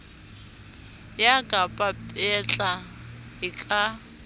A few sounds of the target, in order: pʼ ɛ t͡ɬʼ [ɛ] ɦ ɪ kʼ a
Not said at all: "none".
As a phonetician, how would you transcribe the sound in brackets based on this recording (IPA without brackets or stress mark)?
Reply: a